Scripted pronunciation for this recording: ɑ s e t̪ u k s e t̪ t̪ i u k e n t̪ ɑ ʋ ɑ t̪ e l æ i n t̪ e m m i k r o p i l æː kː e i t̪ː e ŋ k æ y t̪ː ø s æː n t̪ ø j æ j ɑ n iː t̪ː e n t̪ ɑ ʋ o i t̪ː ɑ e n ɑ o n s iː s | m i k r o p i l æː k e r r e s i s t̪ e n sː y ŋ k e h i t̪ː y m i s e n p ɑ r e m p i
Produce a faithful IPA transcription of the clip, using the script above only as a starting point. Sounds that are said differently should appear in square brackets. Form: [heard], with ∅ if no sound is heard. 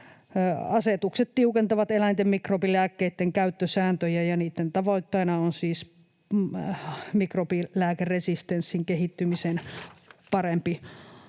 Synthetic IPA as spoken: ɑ s e t̪ u k s e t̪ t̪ i u k e n t̪ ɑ ʋ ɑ t̪ e l æ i n t̪ e m m i k r o p i l æː kː e i t̪ː e ŋ k æ y t̪ː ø s æː n t̪ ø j æ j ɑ n iː t̪ː e n t̪ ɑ ʋ o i t̪ː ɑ [i] n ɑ o n s iː s | m i k r o p i l æː k e r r e s i s t̪ e n sː [i] ŋ k e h i t̪ː y m i s e n p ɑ r e m p i